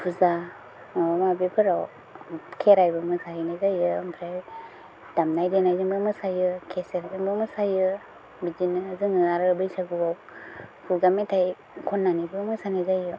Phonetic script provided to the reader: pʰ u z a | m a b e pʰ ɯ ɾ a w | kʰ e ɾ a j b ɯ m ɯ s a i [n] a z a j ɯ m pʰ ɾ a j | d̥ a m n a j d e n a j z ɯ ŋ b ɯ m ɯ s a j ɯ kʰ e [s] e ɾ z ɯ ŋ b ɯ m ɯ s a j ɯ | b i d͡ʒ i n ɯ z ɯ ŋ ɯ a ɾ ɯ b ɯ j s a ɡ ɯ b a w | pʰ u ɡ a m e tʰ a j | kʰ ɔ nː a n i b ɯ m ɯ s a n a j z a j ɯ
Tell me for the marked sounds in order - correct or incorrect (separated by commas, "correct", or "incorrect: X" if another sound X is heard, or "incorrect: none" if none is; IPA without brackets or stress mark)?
correct, correct